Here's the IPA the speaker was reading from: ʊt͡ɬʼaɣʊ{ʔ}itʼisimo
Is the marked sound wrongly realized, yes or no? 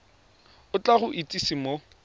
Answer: no